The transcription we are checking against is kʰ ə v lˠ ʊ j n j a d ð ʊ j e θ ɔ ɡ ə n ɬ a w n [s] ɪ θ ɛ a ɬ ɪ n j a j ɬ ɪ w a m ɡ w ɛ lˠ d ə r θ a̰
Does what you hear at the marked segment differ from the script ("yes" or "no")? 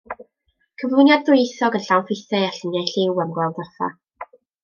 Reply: yes